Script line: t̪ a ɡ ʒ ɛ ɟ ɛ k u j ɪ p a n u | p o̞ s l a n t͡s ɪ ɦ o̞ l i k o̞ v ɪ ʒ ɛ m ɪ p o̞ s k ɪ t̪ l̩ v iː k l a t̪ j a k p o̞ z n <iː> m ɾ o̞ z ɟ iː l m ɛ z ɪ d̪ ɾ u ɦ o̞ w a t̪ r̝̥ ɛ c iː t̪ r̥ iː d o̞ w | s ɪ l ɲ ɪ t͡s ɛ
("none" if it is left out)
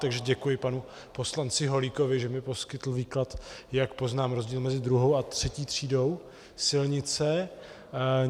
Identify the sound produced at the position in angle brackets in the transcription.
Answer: aː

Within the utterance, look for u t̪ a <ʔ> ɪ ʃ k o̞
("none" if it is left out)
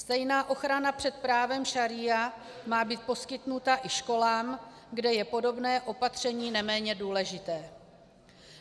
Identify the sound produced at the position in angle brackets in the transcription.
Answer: ʔ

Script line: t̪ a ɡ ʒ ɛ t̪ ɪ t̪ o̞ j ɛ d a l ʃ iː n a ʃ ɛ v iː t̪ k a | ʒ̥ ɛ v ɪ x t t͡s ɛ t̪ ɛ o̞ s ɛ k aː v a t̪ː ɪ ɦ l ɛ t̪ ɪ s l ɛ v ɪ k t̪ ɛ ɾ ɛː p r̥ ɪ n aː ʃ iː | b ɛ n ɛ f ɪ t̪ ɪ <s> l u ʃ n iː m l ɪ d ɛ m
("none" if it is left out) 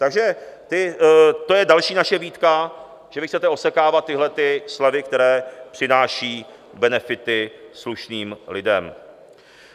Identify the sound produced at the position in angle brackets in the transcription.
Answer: s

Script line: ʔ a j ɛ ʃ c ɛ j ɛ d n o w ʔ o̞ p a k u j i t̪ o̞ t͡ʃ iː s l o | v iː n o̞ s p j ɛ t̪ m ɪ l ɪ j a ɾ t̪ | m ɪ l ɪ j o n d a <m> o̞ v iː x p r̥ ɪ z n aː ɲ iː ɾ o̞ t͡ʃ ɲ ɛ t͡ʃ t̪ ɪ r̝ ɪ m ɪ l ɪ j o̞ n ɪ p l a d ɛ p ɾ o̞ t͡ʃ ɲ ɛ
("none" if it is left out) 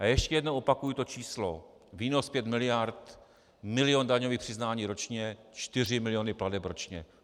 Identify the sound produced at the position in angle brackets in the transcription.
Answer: ɲ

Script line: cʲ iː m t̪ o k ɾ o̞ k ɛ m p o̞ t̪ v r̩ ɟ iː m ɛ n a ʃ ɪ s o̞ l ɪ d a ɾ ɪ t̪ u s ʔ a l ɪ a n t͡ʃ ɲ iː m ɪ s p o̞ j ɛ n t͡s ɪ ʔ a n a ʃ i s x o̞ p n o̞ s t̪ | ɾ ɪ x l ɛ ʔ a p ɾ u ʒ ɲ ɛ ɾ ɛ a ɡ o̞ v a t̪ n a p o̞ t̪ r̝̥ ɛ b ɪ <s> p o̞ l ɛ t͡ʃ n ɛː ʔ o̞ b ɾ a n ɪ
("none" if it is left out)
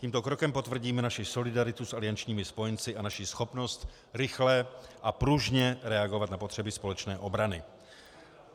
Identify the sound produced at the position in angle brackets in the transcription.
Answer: s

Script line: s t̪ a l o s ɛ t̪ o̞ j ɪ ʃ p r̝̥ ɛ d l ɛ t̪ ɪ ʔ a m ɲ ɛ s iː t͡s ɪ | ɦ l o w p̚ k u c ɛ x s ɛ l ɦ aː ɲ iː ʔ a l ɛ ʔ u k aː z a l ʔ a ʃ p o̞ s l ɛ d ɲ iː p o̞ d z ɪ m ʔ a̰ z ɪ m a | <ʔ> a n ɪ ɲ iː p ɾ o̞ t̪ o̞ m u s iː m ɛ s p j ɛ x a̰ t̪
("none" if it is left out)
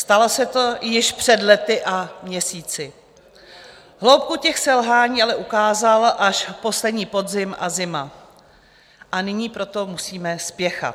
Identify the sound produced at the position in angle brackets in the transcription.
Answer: ʔ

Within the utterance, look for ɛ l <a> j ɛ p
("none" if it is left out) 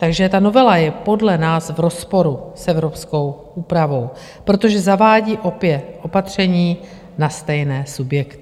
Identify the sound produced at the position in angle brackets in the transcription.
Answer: a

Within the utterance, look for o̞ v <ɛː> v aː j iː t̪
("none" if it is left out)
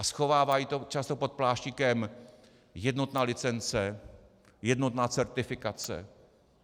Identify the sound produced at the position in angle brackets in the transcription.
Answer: aː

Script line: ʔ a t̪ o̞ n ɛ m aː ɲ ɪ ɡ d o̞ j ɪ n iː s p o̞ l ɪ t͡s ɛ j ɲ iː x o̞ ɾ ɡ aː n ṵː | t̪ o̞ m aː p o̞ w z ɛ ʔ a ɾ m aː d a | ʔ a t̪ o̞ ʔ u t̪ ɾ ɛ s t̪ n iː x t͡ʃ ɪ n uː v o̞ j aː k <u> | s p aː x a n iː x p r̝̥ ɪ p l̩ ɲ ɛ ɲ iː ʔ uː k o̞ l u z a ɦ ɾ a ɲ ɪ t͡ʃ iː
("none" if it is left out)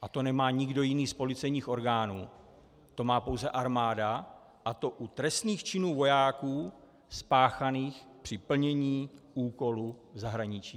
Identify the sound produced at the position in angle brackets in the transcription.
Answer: uː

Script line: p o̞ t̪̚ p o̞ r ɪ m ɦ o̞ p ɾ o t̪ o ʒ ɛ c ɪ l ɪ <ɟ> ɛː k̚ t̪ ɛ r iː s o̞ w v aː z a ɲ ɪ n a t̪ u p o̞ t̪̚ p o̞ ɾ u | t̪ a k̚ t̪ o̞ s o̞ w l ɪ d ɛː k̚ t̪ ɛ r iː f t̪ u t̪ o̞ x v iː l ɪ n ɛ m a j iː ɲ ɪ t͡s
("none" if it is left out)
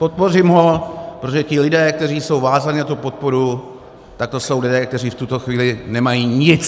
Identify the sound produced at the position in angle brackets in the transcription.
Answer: d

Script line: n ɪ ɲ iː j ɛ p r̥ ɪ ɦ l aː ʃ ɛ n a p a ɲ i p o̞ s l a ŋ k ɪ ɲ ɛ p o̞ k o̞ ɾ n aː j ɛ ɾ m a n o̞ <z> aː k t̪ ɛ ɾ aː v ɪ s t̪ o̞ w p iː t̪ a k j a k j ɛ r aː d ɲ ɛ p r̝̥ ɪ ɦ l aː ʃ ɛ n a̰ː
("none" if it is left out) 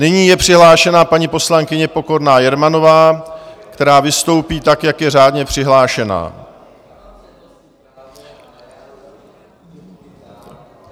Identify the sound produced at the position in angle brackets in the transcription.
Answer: v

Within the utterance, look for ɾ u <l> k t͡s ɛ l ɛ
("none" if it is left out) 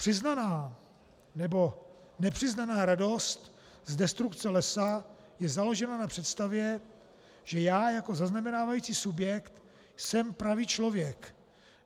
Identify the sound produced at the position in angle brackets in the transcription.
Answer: none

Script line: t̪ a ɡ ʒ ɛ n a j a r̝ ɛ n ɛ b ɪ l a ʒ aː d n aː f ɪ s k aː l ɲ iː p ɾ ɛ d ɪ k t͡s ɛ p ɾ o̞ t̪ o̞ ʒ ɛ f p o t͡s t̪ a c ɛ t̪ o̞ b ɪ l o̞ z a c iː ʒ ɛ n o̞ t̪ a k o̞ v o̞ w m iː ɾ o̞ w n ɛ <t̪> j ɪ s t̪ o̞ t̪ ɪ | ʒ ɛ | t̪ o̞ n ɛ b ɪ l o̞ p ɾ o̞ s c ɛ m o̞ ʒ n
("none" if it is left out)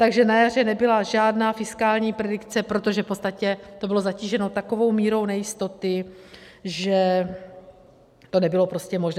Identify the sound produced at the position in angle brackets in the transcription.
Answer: none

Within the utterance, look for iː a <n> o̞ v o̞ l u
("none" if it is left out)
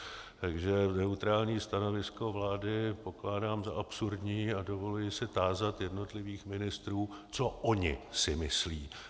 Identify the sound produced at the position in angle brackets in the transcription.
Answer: d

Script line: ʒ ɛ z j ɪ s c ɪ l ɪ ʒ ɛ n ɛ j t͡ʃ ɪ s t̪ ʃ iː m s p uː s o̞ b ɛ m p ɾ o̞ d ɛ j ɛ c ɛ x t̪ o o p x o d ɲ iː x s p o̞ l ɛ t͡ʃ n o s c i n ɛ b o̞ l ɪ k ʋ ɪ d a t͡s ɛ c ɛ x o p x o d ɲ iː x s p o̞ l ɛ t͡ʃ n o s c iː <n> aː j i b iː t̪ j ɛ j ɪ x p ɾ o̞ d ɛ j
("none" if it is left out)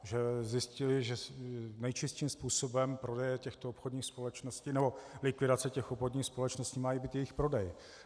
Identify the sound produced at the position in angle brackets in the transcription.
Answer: m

